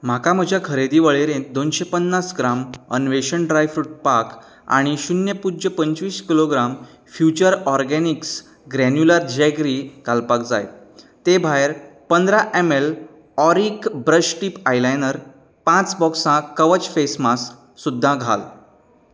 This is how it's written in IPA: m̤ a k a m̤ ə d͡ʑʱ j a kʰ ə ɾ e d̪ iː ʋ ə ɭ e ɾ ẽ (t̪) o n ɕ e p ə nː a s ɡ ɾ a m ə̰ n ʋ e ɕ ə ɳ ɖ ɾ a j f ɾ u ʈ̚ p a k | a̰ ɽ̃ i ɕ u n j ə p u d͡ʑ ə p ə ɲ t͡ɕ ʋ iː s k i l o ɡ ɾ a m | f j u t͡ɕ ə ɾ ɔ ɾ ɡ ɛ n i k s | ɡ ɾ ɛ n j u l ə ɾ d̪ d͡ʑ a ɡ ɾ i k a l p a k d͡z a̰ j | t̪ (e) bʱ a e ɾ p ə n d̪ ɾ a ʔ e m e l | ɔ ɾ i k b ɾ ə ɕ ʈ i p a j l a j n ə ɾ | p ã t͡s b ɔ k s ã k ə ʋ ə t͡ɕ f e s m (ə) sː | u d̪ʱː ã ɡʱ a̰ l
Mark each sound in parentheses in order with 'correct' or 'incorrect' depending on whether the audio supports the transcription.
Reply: incorrect, correct, incorrect

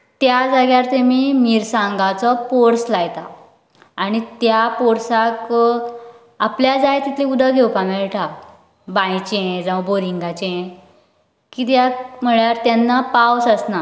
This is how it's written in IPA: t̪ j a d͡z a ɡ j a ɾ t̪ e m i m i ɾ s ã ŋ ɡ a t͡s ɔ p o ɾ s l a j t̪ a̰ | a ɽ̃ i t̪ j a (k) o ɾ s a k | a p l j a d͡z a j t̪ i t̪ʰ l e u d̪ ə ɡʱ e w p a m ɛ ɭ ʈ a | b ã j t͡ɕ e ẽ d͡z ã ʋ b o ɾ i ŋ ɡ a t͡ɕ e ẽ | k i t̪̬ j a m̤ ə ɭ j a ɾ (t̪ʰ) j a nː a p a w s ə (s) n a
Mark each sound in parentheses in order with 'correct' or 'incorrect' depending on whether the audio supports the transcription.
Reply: incorrect, incorrect, correct

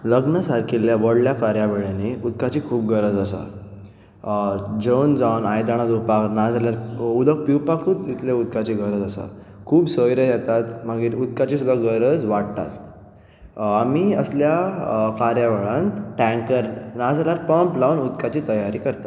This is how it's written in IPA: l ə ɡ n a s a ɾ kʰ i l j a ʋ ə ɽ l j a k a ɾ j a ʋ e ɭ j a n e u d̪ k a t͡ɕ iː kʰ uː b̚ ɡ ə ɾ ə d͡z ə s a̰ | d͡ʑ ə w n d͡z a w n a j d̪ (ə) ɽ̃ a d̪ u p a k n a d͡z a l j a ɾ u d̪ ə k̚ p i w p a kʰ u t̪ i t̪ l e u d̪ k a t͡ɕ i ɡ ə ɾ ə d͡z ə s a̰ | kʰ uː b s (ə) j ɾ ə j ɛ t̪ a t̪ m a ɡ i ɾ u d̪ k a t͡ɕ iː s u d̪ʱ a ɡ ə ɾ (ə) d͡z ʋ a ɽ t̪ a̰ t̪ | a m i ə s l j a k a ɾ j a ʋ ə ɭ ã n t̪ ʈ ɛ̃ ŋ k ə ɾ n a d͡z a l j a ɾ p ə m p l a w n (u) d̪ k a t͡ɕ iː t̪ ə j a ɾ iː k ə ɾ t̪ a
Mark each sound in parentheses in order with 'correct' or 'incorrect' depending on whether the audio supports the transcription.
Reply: incorrect, correct, correct, correct

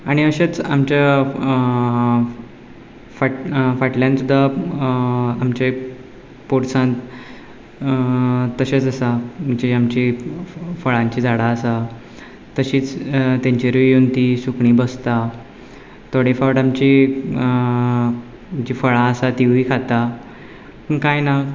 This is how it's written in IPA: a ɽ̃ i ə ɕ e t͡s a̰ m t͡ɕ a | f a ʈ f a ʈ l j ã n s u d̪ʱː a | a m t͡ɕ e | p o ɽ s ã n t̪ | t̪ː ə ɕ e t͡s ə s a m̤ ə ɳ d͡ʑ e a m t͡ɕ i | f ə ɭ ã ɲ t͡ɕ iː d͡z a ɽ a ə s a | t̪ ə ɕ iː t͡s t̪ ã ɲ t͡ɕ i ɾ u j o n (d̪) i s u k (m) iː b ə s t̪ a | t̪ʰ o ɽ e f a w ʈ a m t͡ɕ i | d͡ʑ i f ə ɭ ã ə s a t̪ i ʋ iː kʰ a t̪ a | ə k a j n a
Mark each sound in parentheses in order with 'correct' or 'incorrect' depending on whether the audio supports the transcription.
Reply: incorrect, incorrect

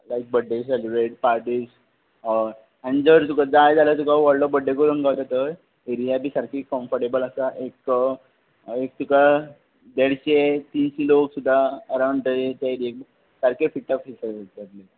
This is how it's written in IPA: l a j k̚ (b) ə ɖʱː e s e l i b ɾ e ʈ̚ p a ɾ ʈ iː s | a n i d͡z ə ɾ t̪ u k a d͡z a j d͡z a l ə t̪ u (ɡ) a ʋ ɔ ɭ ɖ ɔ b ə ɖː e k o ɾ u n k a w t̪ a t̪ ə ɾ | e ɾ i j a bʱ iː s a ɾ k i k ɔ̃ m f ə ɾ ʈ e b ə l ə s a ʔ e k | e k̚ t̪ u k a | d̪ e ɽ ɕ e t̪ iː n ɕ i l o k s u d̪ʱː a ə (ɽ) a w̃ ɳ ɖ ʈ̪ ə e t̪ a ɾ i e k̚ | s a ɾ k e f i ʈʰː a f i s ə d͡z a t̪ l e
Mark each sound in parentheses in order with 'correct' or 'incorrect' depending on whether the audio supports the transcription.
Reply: correct, incorrect, incorrect

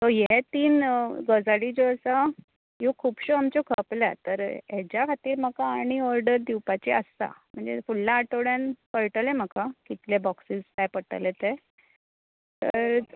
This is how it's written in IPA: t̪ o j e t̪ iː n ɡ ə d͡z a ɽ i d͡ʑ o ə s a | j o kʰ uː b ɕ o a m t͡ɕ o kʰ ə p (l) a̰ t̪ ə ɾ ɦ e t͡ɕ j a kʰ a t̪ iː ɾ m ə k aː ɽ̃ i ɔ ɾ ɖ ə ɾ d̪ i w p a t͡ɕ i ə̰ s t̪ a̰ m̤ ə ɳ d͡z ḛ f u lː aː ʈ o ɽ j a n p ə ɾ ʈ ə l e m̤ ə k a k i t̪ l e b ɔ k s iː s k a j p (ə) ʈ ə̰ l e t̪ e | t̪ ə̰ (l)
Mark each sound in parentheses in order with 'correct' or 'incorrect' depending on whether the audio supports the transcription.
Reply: correct, correct, incorrect

